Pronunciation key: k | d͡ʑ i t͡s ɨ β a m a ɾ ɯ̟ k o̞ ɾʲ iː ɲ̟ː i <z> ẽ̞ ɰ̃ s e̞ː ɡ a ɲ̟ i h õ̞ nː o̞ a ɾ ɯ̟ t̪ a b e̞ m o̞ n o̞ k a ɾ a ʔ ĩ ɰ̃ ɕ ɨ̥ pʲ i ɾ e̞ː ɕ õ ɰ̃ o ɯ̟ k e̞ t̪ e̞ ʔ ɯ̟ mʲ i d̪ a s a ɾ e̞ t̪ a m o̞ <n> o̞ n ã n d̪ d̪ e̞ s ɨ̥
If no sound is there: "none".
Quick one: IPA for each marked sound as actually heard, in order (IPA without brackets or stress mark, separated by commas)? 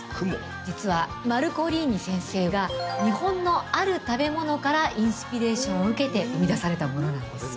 s, n